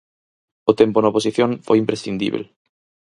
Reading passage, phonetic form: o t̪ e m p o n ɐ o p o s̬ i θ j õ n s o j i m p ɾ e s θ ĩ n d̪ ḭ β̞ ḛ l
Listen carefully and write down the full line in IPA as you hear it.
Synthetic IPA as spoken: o t̪ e m p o n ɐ o p o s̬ i θ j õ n f o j i m p ɾ e s θ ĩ n d̪ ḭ β̞ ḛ l